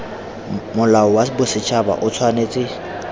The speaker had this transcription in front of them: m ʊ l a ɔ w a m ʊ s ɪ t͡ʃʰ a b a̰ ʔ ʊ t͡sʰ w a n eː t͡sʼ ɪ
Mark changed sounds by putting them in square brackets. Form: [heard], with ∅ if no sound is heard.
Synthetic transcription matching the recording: m ʊ l a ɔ w a [b] ʊ s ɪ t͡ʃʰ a b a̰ ʔ ʊ t͡sʰ w a n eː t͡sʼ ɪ